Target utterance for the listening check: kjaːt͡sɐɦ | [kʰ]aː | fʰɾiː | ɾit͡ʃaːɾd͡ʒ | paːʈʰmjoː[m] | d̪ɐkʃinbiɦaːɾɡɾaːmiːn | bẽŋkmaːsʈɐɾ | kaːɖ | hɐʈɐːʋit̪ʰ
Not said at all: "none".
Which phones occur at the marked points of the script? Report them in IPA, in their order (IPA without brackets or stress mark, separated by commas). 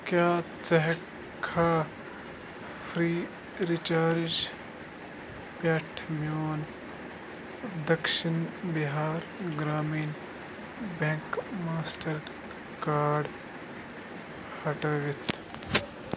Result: kʰ, n